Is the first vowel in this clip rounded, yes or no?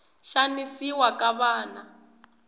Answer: no